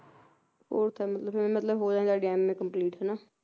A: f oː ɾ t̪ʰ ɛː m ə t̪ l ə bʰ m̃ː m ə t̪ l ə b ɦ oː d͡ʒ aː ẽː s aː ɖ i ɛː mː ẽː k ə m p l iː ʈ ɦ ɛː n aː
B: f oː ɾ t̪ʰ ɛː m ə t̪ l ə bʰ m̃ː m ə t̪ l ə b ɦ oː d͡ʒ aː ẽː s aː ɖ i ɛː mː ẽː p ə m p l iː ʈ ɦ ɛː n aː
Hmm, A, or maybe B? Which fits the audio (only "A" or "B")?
A